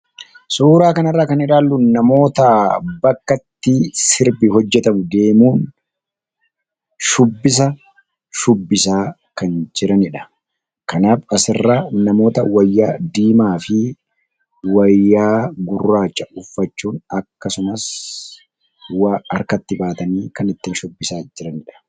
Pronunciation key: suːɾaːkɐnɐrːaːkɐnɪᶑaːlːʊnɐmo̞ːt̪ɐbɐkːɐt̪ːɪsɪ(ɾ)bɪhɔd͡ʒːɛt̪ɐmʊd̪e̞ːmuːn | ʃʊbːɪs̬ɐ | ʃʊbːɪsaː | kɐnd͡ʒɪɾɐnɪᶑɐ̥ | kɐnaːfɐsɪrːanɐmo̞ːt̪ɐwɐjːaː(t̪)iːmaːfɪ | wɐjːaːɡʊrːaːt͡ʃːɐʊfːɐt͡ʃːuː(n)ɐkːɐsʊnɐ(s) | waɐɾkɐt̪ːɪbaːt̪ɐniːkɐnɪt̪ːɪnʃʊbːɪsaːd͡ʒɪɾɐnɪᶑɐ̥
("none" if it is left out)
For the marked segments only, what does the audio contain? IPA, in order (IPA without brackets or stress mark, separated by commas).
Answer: ɾ, d̪, n, s